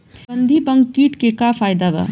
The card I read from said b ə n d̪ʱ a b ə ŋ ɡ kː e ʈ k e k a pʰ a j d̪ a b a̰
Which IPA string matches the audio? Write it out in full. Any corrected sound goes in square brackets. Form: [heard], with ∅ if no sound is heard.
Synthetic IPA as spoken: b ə n d̪ʱ [i] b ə ŋ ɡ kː [i] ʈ k e k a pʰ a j d̪ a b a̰